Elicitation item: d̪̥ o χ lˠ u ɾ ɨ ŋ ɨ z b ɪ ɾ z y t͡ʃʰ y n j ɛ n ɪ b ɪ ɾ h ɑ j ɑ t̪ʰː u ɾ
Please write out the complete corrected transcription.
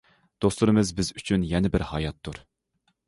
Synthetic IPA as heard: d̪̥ o s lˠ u ɾ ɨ m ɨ z b ɪ z y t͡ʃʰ y n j ɛ n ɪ b ɪ ɾ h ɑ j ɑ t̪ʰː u ɾ